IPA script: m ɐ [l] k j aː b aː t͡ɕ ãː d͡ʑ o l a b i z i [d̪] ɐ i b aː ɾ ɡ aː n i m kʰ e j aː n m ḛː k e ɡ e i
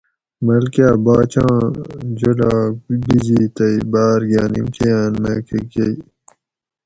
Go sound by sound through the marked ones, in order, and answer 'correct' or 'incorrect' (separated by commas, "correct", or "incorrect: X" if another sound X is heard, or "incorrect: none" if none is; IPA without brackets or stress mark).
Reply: correct, incorrect: t̪